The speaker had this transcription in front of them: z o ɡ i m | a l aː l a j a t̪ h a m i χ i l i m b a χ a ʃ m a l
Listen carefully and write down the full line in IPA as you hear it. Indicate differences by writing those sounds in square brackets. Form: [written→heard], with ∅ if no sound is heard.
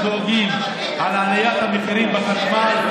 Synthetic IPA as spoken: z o ɡ i m | a l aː l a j a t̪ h a m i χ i [l→ɾ] i m b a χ a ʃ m a l